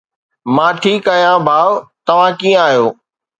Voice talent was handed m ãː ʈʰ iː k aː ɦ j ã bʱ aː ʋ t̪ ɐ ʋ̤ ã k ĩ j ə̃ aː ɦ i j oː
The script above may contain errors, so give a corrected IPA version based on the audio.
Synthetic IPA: m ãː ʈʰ iː k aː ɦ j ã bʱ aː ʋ t̪ ɐ ʋ̤ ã k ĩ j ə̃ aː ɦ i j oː

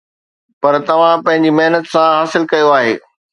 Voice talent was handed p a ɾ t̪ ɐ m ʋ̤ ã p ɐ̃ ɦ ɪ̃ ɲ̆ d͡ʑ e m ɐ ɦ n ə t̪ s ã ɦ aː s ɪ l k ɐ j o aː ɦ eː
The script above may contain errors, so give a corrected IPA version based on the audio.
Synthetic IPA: p ɐ ɾ t̪ ɐ ʋ̤ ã p ɐ̃ ɦ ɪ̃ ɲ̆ d͡ʑ i m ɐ ɦ n ə t̪ s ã ɦ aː s ɪ l k ɐ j o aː ɦ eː

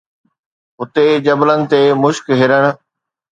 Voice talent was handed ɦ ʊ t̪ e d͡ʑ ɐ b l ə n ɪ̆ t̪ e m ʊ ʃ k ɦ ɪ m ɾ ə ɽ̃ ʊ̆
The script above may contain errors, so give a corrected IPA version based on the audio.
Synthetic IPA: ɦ ʊ t̪ e d͡ʑ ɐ b l ə n ɪ̆ t̪ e m ʊ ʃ k ɦ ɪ ɾ ə ɽ̃ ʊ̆

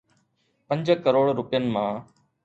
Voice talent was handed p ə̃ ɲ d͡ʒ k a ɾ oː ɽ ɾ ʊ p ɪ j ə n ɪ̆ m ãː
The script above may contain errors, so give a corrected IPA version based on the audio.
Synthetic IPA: p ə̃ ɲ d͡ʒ k ə ɾ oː ɽ ɾ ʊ p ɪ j ə n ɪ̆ m ãː

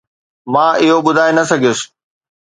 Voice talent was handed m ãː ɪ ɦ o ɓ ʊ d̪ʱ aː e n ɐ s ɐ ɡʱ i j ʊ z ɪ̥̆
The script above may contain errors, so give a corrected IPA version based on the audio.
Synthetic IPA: m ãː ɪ ɦ o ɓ ʊ d̪ʱ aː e n ɐ s ɐ ɡʱ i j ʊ s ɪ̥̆

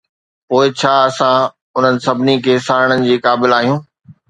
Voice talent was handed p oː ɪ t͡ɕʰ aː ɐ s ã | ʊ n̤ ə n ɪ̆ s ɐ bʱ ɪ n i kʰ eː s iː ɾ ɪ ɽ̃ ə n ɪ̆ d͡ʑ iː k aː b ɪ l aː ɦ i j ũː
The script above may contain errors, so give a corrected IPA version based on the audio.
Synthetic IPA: p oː ɪ t͡ɕʰ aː ɐ s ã | ʊ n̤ ə n ɪ̆ s ɐ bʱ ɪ n i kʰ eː s aː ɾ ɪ ɽ̃ ə n ɪ̆ d͡ʑ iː k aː b ɪ l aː ɦ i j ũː

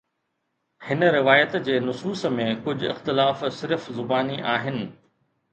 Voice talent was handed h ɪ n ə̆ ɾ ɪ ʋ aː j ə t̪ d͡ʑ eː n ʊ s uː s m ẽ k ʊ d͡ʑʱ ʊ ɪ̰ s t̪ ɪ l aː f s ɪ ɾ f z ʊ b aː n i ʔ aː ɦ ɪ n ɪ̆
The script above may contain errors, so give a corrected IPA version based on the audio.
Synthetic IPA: h ɪ n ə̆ ɾ ɪ ʋ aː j ə t̪ d͡ʑ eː n ʊ s uː s m ẽ k ʊ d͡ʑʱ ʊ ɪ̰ x t̪ ɪ l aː f s ɪ ɾ f z ʊ b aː n i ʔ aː ɦ ɪ n ɪ̆

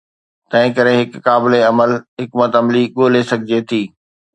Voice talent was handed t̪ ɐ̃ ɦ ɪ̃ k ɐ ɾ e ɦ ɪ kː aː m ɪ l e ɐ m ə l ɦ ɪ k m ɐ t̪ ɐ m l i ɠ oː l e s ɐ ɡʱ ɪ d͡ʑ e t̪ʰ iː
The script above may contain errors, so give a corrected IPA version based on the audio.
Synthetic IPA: t̪ ɐ̃ ɦ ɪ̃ k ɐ ɾ e ɦ ɪ kː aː b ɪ l e ɐ m ə l ɦ ɪ k m ə t̪ ɐ m l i ɠ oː l e s ɐ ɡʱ ɪ d͡ʑ e t̪ʰ iː

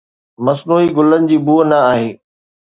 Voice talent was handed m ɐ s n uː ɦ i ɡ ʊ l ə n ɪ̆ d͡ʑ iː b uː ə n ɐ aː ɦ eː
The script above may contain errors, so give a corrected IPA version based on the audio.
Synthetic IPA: m ɐ s n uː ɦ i ɡ ʊ l ə n ɪ̆ d͡ʑ iː b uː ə n ɐ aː ɦ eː

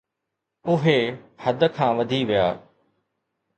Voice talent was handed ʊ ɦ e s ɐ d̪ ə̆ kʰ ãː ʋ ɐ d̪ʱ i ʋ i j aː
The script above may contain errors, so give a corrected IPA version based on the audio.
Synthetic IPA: ʊ ɦ e h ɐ d̪ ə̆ kʰ ãː ʋ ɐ d̪ʱ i ʋ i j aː

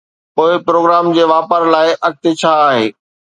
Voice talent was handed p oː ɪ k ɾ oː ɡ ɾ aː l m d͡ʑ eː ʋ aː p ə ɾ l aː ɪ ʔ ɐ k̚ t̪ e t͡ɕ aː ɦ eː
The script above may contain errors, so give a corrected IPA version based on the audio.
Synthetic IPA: p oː ɪ p ɾ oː ɡ ɾ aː m d͡ʑ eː ʋ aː p ə ɾ l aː ɪ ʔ ɐ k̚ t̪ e t͡ɕʰ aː ɦ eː

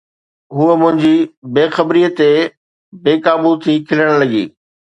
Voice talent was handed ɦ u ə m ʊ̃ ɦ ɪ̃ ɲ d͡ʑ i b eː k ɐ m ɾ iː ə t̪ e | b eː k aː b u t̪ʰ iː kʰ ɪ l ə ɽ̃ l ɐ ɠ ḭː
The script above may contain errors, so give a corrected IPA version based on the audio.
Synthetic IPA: ɦ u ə m ʊ̃ ɦ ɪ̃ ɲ d͡ʑ i b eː x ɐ b ɾ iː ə t̪ e | b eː k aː b u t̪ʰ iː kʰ ɪ l ə ɽ̃ l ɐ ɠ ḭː

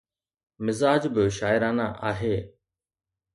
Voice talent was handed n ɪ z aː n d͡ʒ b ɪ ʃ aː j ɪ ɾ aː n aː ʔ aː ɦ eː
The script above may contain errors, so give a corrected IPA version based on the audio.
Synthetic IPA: m ɪ z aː d͡ʒ b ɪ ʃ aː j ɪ ɾ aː n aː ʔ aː ɦ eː

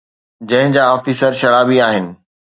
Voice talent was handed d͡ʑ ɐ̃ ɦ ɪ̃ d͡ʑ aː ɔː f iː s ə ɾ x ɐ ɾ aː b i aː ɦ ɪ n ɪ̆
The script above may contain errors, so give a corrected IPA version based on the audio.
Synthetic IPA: d͡ʑ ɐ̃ ɦ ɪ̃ d͡ʑ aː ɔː f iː s ə ɾ ʃ ɐ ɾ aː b i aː ɦ ɪ n ɪ̆

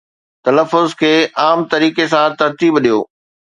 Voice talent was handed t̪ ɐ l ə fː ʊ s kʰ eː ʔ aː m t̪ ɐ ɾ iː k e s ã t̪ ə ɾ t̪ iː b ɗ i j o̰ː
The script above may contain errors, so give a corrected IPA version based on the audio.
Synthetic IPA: t̪ ɐ l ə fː ʊ z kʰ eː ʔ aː m t̪ ɐ ɾ iː k e s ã t̪ ɐ ɾ t̪ iː b ɗ i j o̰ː

